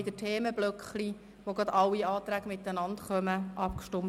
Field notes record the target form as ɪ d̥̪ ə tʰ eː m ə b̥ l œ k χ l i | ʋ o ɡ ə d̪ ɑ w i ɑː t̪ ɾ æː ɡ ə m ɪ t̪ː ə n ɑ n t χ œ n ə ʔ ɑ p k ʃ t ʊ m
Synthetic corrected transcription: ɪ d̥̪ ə tʰ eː m ə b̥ l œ k χ l i | ʋ o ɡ ɑ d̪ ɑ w i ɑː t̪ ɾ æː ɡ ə m ɪ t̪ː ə n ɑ n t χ œ m ə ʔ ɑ p k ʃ t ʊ m